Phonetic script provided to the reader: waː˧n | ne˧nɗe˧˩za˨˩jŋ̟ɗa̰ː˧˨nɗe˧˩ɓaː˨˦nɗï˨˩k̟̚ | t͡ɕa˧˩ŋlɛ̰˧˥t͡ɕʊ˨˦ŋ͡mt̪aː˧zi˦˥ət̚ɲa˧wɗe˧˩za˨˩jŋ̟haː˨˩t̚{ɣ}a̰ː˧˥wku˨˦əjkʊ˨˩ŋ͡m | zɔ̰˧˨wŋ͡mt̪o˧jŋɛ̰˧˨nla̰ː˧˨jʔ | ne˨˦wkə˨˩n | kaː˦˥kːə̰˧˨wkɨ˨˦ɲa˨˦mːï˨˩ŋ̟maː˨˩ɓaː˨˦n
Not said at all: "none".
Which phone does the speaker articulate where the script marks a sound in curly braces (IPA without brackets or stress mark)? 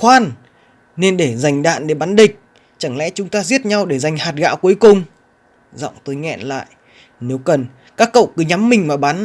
ɣ